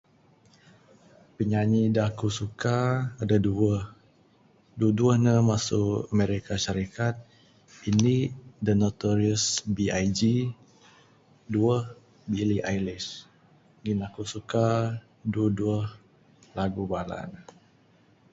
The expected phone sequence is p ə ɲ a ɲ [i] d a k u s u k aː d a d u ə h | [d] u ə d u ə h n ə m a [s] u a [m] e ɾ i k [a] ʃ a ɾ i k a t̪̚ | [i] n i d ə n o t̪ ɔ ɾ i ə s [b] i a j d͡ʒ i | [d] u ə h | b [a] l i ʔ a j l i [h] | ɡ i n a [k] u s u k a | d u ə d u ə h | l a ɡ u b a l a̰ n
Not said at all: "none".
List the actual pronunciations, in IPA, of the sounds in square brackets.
i, d, s, m, a, i, b, d, i, s, k

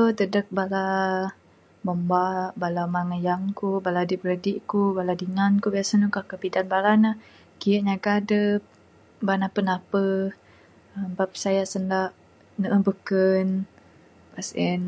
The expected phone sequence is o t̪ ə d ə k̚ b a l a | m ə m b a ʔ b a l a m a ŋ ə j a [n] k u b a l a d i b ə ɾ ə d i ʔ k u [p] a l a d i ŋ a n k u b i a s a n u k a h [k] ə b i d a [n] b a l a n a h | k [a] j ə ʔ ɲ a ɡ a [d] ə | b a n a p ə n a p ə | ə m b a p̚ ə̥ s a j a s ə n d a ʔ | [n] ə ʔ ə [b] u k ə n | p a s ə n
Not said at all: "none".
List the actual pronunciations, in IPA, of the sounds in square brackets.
ŋ, b, k, n, i, d, n, b

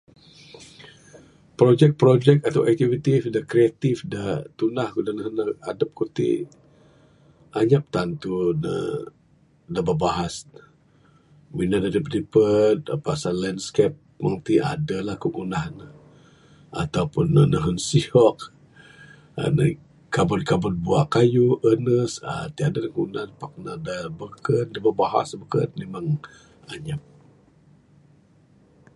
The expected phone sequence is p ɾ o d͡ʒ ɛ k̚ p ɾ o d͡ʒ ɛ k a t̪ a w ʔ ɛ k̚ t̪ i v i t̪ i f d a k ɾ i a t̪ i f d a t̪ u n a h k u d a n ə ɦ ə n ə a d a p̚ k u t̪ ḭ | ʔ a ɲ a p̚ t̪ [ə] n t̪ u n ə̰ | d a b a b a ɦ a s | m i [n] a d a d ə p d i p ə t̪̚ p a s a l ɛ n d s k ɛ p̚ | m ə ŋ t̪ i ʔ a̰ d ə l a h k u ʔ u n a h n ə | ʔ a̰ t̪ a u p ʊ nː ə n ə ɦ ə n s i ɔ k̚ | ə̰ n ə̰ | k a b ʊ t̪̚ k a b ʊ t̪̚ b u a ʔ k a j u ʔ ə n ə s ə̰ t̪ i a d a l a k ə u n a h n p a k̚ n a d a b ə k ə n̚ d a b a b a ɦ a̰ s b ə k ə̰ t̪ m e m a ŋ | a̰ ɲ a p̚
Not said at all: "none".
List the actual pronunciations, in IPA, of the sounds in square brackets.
a, n

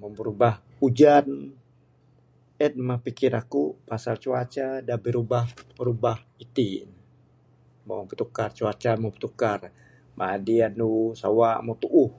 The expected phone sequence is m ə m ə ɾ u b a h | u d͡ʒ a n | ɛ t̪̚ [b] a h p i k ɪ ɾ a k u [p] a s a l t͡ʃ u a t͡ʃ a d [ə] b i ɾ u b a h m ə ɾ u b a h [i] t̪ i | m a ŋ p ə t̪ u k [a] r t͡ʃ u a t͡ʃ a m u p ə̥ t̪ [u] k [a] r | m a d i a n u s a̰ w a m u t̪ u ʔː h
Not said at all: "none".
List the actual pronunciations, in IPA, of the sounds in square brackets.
m, p, a, i, a, u, a

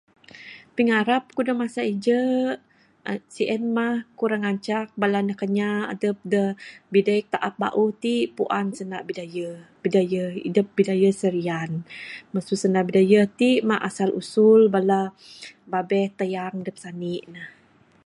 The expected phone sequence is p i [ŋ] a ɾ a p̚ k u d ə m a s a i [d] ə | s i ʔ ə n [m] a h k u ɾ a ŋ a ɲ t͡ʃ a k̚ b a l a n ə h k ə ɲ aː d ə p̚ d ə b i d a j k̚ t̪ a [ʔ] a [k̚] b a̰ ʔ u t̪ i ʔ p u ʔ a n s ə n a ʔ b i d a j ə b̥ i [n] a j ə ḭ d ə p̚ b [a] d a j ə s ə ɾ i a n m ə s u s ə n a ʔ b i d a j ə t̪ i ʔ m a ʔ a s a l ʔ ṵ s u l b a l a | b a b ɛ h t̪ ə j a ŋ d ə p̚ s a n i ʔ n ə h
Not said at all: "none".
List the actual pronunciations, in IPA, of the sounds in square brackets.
ŋ, d͡ʒ, m, ʔ, p̚, d, i

